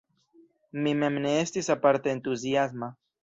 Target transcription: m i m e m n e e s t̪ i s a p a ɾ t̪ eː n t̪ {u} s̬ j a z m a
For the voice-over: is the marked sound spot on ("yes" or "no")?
yes